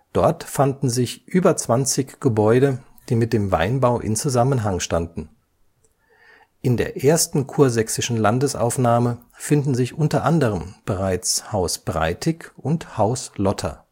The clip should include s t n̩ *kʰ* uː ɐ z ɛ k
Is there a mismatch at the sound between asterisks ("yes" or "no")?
no